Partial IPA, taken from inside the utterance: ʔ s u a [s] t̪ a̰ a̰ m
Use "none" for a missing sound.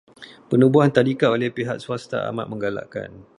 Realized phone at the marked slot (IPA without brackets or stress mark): s